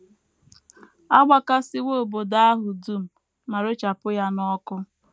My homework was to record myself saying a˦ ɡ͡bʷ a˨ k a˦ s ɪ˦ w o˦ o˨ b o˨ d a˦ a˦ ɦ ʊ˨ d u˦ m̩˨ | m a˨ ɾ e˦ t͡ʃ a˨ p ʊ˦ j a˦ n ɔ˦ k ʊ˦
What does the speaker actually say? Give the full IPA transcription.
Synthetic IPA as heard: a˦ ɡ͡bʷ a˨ k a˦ s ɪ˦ w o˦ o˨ b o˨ d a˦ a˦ ɦ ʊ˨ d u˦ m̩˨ | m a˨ ɾ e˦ t͡ʃ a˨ p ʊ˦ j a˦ n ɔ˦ k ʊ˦